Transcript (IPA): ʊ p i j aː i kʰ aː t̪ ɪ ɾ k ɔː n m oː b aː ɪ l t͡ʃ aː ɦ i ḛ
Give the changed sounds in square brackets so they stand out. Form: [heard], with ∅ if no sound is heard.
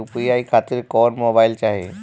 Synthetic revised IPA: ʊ p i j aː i kʰ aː t̪ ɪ ɾ k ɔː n m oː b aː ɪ l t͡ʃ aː ɦ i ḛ